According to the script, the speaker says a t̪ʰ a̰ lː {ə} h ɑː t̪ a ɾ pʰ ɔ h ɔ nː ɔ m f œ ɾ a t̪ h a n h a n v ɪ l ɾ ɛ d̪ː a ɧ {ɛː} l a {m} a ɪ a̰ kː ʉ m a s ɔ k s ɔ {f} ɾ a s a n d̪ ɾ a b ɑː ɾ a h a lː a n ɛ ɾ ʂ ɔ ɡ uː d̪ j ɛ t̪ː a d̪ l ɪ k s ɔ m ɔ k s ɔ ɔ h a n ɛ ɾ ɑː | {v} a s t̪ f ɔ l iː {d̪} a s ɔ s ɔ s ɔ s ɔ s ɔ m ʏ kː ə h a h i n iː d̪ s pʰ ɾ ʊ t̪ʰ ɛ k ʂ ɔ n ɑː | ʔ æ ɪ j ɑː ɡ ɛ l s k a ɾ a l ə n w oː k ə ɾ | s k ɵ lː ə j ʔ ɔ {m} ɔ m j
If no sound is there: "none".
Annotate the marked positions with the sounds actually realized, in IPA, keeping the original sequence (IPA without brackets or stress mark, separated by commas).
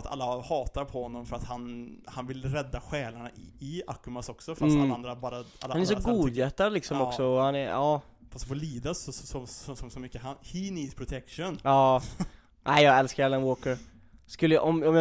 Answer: a, ɛː, ɳ, f, f, d̪, m